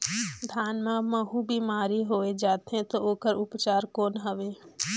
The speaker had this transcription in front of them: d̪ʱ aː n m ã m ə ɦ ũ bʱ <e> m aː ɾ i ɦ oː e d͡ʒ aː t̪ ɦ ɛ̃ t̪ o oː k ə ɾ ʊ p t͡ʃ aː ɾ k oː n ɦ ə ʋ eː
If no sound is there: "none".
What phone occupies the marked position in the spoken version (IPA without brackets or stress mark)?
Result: i